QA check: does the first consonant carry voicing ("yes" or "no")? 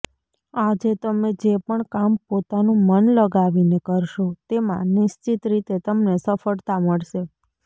yes